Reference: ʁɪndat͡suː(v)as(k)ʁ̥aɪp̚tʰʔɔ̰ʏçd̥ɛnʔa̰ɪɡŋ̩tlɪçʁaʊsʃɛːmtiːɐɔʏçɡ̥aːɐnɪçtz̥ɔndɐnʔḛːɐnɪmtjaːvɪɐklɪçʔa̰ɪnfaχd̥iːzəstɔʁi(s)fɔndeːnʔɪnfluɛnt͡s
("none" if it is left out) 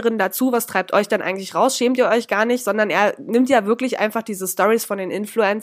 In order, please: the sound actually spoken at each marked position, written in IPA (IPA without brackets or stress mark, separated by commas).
v, t, s